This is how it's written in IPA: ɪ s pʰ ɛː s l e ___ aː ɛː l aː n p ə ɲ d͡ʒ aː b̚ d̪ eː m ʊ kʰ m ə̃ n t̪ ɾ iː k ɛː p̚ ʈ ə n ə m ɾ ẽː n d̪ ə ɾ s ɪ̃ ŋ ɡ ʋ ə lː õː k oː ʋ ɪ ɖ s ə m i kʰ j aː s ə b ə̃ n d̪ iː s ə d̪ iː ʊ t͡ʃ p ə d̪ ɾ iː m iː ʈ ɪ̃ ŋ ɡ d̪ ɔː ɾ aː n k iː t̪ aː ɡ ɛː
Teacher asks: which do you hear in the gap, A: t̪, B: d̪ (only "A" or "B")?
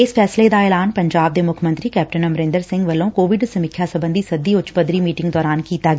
B